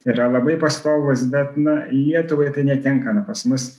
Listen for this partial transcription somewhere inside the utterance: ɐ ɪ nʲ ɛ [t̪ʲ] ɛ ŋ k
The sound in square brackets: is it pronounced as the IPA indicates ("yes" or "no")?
yes